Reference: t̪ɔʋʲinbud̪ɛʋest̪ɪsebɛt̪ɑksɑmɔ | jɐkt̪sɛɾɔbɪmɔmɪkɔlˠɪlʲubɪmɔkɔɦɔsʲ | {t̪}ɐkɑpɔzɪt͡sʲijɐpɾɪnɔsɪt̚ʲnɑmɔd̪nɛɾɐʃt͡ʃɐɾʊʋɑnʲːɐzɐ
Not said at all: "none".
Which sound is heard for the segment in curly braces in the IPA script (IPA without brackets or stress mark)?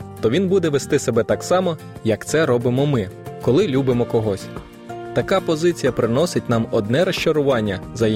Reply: t̪